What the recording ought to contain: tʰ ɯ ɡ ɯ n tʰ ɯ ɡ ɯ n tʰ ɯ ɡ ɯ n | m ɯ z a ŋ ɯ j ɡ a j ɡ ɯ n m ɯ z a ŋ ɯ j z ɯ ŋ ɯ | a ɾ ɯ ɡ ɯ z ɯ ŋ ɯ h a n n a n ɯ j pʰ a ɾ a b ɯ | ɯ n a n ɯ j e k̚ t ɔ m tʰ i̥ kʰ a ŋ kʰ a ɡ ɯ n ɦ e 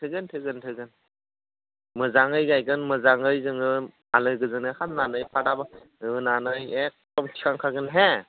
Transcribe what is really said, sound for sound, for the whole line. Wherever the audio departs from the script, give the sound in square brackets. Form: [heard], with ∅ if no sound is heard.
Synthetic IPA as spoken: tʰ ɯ ɡ ɯ n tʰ ɯ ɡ ɯ n tʰ ɯ ɡ ɯ n | m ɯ z a ŋ ɯ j ɡ a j ɡ ɯ n m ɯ z a ŋ ɯ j z ɯ ŋ ɯ | a [l] ɯ ɡ ɯ z ɯ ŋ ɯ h a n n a n ɯ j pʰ a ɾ a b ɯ | ɯ n a n ɯ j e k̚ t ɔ m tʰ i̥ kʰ a ŋ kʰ a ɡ ɯ n ɦ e